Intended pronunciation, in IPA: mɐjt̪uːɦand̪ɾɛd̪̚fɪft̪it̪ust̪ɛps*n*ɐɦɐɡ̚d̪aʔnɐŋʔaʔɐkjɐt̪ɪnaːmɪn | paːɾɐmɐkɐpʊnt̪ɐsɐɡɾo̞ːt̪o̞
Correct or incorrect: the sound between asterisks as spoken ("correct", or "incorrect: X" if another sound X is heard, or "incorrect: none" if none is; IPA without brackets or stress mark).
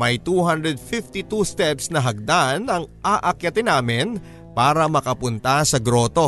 correct